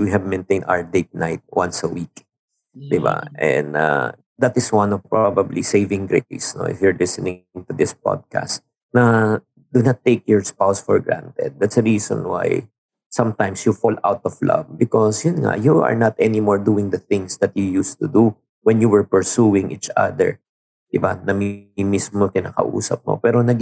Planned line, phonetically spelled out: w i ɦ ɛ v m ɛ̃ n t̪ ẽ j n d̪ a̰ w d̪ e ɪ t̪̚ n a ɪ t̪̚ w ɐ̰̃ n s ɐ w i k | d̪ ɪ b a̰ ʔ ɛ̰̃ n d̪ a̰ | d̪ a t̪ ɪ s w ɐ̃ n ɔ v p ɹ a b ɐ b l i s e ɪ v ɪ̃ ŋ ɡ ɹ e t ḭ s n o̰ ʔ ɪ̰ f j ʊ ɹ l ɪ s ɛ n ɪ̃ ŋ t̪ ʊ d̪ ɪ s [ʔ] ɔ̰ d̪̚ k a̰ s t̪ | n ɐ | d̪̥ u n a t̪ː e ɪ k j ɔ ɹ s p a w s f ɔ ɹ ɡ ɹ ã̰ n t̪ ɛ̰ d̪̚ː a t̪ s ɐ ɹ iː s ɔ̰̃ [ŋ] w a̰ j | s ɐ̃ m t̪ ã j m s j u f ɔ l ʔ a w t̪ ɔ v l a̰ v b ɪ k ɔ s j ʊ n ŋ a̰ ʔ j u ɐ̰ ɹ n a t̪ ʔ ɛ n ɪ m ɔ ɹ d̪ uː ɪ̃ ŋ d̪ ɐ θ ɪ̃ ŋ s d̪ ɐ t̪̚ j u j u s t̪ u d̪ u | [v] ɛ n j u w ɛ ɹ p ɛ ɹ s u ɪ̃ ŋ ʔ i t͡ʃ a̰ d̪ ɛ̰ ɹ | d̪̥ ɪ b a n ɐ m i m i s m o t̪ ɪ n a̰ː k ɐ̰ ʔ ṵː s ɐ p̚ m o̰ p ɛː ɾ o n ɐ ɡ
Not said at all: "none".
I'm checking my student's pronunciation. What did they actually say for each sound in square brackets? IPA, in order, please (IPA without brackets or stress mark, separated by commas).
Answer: p, n, w